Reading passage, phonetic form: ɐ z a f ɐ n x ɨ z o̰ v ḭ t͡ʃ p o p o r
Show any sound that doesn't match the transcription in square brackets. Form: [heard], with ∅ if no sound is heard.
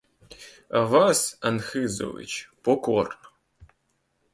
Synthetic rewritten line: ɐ [v] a [s] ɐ n x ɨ z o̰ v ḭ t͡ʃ p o [k] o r